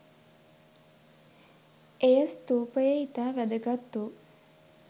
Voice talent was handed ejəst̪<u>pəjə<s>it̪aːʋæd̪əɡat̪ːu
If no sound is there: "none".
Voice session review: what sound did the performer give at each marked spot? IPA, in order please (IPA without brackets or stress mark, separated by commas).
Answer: uː, none